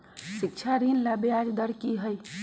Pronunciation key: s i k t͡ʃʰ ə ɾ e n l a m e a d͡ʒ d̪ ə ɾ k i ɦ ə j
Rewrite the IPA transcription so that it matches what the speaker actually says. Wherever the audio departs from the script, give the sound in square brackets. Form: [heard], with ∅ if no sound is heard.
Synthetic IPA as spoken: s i k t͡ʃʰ [a] ɾ [i] n l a [b] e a d͡ʒ d̪ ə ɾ k i ɦ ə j